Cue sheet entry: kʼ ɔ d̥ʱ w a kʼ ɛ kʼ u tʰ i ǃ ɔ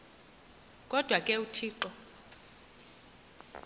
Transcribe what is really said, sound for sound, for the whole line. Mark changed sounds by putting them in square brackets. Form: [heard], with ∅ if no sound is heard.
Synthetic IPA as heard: kʼ ɔ d̥ʱ w a kʼ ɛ [∅] u tʰ [iː] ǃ ɔ